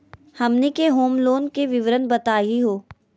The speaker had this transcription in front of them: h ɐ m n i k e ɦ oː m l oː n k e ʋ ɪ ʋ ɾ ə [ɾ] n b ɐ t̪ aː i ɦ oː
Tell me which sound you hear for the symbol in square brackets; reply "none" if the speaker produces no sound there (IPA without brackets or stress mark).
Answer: none